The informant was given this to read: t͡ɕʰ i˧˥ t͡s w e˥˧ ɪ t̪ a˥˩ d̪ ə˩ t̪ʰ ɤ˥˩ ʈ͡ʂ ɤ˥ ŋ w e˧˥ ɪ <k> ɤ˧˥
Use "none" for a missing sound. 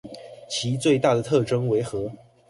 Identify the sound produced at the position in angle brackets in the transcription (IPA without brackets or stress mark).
x